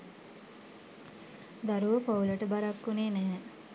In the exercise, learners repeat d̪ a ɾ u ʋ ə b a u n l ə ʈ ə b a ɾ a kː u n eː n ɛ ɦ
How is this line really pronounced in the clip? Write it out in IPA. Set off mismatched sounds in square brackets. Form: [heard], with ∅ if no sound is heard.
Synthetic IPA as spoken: d̪ a ɾ u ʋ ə [p] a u [∅] l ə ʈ ə b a ɾ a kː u n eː n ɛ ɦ